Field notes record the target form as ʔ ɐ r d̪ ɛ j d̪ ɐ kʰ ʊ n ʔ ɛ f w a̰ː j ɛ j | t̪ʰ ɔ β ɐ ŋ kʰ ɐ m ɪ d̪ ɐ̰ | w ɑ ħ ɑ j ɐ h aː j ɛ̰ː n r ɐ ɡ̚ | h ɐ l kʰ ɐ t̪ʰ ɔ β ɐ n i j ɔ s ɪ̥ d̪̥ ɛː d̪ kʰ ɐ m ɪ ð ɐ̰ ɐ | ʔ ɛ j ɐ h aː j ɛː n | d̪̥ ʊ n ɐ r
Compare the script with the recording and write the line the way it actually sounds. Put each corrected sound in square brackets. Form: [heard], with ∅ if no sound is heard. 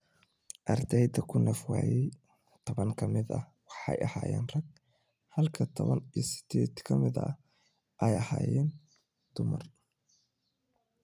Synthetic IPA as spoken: ʔ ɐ r d̪ ɛ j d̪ ɐ kʰ ʊ n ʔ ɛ f w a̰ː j ɛ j | t̪ʰ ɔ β ɐ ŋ kʰ ɐ m ɪ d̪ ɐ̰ | w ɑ ħ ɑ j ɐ h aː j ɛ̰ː n r ɐ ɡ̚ | h ɐ l kʰ ɐ t̪ʰ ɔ β ɐ n i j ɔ s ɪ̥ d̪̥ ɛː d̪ kʰ ɐ m ɪ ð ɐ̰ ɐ | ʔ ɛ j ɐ h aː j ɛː n | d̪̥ ʊ [m] ɐ r